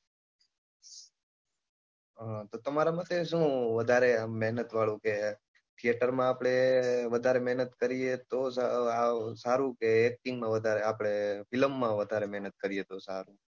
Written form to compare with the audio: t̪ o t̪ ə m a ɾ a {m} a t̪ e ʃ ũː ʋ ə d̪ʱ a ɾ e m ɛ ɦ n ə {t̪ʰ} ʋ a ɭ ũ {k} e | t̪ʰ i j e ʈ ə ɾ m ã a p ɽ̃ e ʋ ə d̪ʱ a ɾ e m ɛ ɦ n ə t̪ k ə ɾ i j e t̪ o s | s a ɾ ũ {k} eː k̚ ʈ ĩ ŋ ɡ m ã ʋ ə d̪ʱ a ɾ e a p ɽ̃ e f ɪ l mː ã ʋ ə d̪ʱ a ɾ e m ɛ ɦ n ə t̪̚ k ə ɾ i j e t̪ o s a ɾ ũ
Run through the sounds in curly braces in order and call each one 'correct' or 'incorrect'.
correct, incorrect: t̪, correct, correct

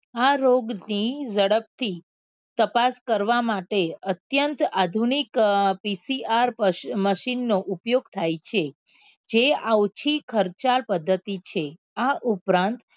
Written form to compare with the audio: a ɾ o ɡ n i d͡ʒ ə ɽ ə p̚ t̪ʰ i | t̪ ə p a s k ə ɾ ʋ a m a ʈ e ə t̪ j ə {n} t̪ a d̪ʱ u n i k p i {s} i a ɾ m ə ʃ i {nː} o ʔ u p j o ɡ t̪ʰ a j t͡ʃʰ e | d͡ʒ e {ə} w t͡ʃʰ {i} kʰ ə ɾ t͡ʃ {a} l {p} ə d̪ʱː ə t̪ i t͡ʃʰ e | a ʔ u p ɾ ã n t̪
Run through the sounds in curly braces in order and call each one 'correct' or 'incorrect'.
correct, correct, correct, incorrect: a, correct, correct, correct

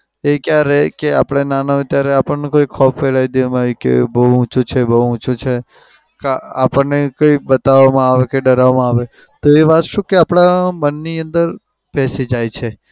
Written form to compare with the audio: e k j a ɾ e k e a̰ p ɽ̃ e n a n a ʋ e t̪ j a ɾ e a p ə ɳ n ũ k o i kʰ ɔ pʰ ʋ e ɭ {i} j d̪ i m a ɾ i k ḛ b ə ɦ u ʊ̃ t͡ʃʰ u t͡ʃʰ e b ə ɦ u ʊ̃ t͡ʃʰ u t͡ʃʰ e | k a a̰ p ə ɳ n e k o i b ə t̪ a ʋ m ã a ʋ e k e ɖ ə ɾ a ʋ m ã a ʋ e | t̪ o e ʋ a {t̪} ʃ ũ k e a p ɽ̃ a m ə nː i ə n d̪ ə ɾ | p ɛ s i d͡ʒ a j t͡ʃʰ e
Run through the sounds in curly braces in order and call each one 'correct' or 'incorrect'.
incorrect: a, correct

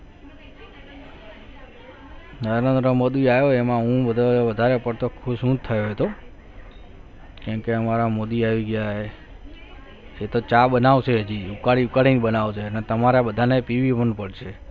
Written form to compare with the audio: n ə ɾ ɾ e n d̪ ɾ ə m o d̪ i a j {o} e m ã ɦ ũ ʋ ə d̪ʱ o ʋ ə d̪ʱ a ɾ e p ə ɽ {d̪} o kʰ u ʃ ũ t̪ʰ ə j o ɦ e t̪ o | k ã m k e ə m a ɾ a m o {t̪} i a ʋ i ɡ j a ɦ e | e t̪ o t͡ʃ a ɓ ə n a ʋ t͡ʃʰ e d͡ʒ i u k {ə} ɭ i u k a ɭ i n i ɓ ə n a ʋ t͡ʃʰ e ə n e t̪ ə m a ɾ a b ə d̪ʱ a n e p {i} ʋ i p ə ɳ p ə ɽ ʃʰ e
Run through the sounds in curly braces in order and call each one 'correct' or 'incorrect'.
correct, incorrect: t̪, incorrect: d̪, incorrect: a, correct

